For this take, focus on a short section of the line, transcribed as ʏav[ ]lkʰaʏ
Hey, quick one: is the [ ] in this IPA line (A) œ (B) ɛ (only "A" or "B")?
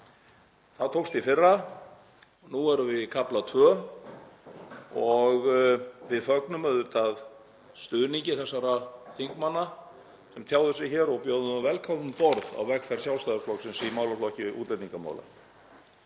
B